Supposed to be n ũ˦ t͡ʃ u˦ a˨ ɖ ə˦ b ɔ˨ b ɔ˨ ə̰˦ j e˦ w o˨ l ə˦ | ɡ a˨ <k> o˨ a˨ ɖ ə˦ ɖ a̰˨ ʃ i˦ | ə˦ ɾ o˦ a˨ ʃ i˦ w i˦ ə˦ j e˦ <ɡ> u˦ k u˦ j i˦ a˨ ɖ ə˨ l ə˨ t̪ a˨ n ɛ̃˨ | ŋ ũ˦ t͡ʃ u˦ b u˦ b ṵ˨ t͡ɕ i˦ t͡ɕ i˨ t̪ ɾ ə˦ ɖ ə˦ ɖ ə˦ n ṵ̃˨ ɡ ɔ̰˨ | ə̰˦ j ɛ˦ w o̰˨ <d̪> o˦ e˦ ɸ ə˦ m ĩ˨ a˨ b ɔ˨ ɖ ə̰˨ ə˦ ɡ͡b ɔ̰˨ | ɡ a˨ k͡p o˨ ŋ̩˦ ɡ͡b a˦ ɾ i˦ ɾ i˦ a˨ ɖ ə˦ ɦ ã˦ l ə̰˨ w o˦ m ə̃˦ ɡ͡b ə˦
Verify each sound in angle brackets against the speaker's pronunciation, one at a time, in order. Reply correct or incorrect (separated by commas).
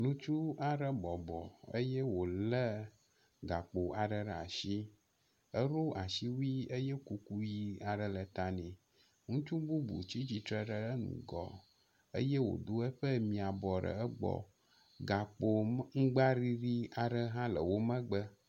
incorrect, incorrect, correct